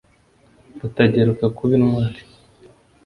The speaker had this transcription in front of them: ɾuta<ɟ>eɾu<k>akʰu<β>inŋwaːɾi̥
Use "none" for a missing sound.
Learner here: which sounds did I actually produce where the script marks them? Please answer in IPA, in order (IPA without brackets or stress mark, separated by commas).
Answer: ɟ, k, β